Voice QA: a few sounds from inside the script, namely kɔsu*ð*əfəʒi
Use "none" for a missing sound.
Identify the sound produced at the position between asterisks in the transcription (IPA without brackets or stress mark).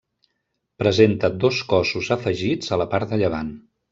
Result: z